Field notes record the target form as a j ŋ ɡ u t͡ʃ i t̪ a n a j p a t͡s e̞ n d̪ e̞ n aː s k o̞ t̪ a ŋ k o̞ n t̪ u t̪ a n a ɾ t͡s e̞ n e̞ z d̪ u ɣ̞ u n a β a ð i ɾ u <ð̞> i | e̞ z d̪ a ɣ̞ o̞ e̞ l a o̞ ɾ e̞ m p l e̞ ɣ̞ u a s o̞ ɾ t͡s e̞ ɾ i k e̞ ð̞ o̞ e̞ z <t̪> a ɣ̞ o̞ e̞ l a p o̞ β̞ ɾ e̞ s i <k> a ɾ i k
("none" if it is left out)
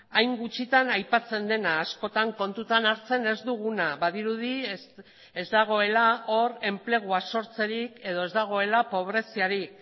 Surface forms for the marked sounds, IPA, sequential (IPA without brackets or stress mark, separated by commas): ð̞, d̪, none